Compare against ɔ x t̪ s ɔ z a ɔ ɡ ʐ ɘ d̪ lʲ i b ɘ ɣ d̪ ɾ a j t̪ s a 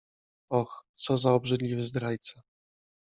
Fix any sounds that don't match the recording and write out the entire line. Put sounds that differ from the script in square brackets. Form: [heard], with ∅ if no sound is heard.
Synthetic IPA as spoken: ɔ x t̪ s ɔ z a ɔ [b] ʐ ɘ d̪ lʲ i [v] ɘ [z] d̪ ɾ a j t̪ s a